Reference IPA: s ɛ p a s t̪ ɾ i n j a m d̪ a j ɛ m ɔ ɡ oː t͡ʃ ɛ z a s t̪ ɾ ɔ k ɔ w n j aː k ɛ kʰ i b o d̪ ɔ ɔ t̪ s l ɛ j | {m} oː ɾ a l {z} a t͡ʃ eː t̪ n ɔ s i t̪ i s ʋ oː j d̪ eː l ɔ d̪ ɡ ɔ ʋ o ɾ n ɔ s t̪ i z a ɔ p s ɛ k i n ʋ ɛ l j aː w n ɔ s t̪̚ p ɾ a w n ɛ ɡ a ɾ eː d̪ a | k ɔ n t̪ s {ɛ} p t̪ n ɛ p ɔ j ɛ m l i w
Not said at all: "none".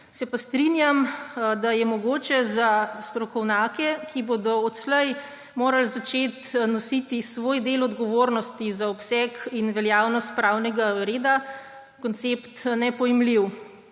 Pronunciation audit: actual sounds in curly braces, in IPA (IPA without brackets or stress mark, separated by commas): m, z, e